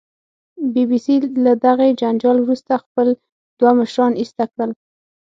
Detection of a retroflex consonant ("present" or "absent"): present